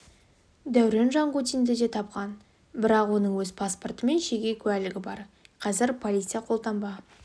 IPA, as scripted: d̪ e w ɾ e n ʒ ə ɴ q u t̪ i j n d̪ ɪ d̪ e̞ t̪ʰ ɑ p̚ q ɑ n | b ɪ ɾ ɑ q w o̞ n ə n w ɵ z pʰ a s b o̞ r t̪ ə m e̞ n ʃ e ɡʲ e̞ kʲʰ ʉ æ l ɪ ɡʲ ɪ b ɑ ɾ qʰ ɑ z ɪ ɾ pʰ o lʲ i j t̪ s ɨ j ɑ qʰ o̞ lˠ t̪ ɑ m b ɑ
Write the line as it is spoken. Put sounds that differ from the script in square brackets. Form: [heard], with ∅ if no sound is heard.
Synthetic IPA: d̪ [æ] w ɾ e n ʒ [ɑ] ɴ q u t̪ i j n d̪ ɪ d̪ e̞ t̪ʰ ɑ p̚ q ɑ n | b ɪ ɾ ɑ q w o̞ n ə [ɴ] w ɵ z pʰ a s [p] o̞ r t̪ ə m e̞ n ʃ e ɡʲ e̞ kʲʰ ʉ æ l ɪ ɡʲ ɪ b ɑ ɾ qʰ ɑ z ɪ ɾ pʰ o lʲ i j t̪ s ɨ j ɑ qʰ o̞ lˠ t̪ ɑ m b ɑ